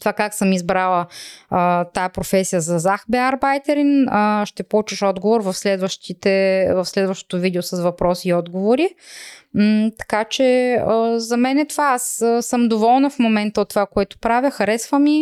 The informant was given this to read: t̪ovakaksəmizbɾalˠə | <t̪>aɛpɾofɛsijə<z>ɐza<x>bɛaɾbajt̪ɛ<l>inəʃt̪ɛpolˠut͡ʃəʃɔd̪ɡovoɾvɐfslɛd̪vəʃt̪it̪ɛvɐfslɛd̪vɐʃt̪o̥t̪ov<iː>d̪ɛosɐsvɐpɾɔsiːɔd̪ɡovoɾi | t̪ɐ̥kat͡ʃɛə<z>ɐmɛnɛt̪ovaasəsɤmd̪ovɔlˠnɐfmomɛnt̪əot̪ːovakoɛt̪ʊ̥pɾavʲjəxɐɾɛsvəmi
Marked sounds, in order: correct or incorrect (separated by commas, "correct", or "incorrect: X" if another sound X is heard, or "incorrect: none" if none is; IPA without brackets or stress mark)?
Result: correct, correct, correct, incorrect: ɾ, incorrect: i, correct